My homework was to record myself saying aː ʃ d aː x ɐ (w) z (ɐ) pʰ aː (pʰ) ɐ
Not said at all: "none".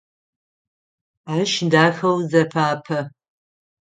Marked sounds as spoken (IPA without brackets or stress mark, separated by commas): w, ɐ, pʰ